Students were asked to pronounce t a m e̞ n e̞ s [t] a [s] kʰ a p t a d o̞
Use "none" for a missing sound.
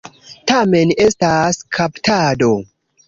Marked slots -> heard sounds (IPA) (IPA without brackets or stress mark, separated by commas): t, s